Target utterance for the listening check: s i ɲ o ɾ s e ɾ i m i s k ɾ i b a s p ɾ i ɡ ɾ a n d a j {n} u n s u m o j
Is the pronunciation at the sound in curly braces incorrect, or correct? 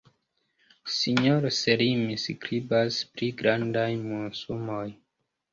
incorrect